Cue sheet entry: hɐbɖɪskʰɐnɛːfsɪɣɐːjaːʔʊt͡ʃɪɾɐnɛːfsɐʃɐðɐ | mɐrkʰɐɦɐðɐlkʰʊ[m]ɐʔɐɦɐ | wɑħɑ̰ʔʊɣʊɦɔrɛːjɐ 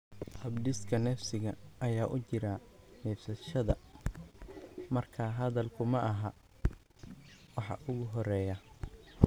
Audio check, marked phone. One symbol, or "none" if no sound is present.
m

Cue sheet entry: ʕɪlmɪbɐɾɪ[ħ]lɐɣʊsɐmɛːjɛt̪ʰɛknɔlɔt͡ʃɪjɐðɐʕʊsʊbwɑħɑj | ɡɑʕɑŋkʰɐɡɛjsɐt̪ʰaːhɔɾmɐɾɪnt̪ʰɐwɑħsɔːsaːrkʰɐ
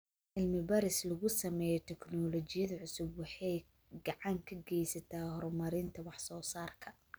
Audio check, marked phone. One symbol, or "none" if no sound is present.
s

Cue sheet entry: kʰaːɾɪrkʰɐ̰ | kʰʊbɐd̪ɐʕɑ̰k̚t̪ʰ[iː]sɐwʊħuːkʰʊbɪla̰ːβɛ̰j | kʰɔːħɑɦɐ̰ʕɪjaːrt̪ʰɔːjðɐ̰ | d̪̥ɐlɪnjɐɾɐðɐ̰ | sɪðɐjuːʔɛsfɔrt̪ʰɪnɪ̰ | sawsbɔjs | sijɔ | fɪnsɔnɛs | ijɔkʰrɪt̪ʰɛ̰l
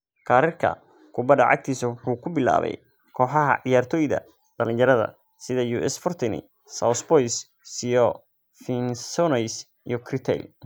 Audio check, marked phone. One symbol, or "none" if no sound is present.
iː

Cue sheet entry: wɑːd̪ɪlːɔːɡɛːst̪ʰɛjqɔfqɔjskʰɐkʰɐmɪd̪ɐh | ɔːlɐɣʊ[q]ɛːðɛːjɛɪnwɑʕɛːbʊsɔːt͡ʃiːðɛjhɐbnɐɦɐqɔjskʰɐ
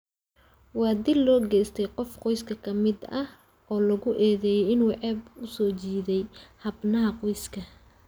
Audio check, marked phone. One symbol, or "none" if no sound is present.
ʔ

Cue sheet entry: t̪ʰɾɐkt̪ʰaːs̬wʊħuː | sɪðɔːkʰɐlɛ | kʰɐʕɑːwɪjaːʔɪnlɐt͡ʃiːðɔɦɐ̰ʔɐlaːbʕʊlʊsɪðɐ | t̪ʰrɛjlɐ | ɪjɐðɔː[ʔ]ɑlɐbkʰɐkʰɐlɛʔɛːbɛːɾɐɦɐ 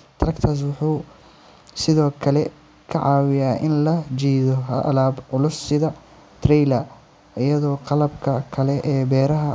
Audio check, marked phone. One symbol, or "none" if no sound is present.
q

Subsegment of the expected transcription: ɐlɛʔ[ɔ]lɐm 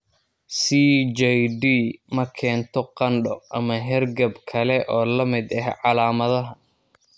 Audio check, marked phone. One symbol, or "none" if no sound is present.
ɔː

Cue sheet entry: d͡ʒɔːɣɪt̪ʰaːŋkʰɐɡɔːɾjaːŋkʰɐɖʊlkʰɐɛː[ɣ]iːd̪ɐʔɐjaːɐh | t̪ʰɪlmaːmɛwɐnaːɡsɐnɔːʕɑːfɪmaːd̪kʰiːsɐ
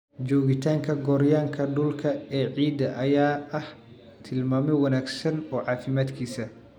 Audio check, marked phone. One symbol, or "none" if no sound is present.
ʕ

